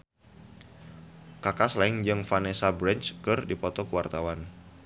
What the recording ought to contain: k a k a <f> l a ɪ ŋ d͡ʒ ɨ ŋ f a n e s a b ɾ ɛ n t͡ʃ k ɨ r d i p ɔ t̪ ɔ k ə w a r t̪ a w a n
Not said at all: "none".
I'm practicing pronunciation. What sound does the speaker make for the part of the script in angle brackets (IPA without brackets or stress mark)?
s